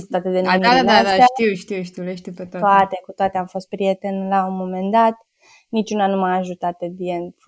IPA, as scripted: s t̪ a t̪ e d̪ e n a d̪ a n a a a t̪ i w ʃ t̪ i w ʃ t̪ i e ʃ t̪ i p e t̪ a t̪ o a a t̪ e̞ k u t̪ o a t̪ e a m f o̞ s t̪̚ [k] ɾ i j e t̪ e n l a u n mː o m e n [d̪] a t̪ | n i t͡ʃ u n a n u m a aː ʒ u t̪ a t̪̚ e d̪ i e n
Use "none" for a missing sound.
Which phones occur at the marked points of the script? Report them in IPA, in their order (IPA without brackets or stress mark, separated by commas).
p, d̪